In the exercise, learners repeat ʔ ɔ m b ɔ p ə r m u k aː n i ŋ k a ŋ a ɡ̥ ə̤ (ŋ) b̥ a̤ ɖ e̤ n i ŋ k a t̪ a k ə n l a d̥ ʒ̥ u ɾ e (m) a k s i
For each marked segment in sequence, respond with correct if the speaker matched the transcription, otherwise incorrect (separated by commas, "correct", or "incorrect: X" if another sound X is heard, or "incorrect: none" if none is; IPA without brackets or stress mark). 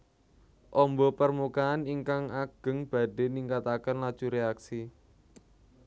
correct, incorrect: none